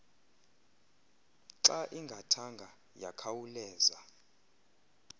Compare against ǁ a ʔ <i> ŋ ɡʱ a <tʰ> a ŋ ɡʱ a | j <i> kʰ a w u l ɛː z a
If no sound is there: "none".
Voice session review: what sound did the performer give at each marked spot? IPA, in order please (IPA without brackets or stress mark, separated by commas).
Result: i, tʰ, a